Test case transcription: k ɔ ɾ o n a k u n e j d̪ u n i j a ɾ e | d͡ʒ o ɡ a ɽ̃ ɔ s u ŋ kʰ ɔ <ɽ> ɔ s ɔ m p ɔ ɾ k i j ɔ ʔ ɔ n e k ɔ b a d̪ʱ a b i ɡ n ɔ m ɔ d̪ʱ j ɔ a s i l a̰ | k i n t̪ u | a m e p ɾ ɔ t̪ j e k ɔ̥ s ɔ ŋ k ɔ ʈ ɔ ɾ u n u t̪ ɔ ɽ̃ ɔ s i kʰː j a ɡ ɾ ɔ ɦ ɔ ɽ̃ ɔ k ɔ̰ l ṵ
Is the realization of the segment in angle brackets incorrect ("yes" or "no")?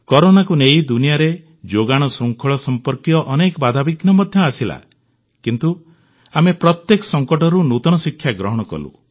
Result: yes